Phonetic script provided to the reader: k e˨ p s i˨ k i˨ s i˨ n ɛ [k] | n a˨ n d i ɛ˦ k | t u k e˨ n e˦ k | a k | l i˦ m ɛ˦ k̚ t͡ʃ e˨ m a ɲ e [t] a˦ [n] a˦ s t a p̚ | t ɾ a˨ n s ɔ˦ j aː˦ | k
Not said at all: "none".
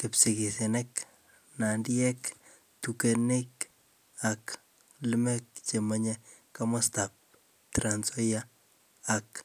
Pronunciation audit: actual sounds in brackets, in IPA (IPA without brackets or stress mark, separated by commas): k, k, m